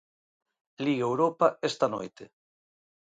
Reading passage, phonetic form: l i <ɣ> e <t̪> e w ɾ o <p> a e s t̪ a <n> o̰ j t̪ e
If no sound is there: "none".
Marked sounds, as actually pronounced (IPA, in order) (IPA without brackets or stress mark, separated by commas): ɣ, none, p, n